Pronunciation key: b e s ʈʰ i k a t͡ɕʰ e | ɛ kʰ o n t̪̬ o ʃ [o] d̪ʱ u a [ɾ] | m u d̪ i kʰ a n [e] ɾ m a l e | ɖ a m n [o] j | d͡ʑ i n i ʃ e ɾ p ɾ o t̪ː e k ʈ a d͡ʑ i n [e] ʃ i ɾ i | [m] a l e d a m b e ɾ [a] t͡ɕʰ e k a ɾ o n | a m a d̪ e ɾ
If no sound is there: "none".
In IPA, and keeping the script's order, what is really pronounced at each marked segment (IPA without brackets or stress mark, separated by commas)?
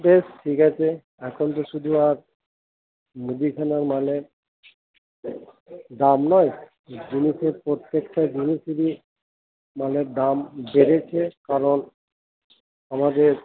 u, ɾ, a, ɔ, i, m, e